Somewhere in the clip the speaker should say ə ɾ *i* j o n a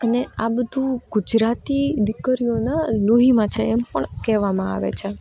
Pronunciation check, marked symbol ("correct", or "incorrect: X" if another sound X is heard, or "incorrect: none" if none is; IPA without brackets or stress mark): correct